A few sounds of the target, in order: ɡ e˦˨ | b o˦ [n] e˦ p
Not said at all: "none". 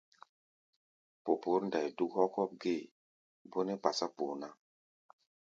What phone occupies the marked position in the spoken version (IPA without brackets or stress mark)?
n